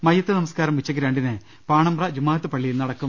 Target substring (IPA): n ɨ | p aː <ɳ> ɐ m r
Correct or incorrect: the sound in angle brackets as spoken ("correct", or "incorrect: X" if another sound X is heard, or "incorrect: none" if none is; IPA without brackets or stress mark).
correct